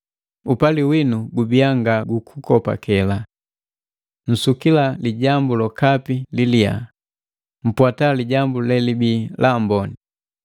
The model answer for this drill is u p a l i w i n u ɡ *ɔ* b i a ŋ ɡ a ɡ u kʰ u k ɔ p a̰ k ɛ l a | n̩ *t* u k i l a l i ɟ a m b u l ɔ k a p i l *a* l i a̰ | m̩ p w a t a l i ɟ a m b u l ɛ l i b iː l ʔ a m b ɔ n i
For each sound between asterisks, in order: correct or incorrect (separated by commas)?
incorrect, incorrect, incorrect